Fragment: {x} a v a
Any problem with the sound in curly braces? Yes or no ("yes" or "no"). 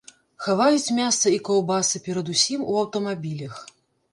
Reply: no